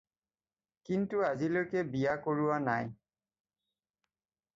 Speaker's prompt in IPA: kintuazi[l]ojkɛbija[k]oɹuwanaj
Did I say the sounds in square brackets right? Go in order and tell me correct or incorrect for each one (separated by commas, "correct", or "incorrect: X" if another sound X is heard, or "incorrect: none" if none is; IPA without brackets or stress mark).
correct, correct